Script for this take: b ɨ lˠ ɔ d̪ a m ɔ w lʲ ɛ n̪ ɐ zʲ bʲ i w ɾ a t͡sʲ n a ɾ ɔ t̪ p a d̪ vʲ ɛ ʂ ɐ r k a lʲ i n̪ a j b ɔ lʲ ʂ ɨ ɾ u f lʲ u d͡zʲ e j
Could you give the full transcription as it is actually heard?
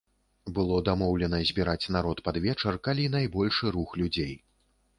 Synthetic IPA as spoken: b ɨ lˠ ɔ d̪ a m ɔ w lʲ ɛ n̪ ɐ zʲ bʲ i ɾ a t͡sʲ n a ɾ ɔ t̪ p a d̪ vʲ ɛ t͡ʂ ɐ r k a lʲ i n̪ a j b ɔ lʲ ʂ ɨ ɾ u x lʲ u d͡zʲ e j